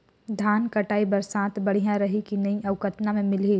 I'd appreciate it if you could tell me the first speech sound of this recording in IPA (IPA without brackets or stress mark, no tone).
d̪ʱ